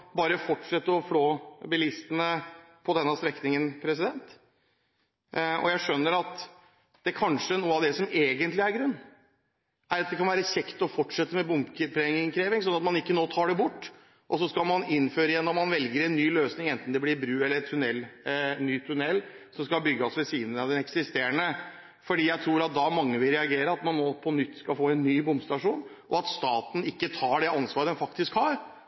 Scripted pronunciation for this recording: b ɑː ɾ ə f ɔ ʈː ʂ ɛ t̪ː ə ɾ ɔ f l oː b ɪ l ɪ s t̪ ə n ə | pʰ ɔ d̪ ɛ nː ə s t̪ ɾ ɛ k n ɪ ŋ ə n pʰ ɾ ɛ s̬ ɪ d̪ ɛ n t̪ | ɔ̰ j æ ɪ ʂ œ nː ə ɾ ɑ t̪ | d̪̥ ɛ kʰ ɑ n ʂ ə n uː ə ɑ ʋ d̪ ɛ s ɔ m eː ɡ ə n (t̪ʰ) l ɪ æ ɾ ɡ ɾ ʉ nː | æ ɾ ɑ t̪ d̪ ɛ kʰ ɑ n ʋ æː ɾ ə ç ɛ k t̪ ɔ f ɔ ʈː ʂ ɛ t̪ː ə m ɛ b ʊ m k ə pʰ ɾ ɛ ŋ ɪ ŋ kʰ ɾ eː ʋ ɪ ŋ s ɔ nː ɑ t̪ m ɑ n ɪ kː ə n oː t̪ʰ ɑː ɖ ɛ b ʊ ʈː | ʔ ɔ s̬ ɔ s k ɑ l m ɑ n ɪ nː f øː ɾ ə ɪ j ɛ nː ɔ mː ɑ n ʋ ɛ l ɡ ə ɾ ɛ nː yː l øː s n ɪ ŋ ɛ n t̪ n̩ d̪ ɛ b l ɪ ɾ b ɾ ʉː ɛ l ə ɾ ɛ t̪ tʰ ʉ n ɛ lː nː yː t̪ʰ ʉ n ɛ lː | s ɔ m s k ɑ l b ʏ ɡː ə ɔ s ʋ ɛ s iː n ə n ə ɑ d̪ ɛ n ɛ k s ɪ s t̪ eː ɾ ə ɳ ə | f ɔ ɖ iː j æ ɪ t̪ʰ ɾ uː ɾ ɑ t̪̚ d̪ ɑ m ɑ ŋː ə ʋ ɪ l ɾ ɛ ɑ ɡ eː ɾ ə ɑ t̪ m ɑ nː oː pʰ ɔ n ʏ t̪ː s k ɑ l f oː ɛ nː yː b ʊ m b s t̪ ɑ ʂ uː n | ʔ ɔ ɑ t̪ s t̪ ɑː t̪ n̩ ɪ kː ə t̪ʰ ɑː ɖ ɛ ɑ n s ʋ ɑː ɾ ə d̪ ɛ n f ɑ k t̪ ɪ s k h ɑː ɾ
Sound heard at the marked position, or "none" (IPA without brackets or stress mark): t̪